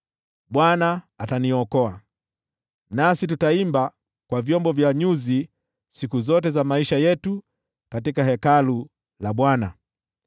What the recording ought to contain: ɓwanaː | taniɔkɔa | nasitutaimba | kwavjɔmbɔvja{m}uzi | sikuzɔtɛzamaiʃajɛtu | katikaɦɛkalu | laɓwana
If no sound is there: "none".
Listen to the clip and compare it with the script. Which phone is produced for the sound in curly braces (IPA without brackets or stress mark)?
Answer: ɲ